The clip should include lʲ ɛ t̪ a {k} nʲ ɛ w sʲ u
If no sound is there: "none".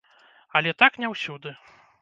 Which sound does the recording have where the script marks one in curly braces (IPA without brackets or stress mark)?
k